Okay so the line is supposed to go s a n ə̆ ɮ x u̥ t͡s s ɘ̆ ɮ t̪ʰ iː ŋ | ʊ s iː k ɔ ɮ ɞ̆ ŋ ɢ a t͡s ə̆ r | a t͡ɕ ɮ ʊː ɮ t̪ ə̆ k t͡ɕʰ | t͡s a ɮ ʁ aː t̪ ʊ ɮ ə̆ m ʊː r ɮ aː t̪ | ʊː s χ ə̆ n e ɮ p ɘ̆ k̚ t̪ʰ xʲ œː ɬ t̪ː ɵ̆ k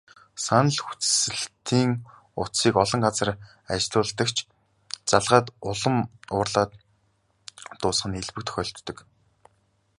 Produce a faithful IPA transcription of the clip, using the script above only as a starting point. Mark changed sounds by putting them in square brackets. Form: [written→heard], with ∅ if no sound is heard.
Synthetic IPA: s a n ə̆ ɮ x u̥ t͡s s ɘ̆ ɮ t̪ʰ iː ŋ | ʊ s iː k ɔ ɮ ɞ̆ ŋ ɢ a t͡s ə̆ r | a t͡ɕ ɮ ʊː ɮ t̪ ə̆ k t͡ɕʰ | t͡s a ɮ ʁ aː t̪ ʊ ɮ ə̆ m ʊː r ɮ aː t̪ | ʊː s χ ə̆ n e ɮ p ɘ̆ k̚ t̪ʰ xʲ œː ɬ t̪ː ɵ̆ k